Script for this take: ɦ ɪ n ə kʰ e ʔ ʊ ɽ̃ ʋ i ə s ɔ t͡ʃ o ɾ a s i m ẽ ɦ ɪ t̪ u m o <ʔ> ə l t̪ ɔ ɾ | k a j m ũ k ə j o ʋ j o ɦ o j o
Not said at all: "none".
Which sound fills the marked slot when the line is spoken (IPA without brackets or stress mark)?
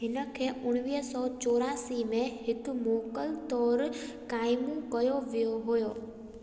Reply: k